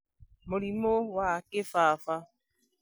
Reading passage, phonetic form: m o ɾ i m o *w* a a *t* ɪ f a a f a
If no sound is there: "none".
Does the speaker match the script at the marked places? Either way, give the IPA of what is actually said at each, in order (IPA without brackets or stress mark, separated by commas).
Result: w, k